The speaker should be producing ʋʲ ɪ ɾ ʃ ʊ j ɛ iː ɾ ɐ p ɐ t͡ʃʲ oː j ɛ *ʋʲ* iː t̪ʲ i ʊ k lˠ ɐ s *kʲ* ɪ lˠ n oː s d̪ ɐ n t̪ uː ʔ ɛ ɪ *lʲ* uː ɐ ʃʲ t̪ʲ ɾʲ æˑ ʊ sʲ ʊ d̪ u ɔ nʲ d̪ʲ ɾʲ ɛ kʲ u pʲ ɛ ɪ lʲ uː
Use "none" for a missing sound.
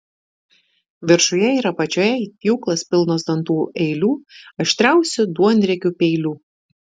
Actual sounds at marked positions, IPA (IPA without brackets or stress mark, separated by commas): none, pʲ, lʲ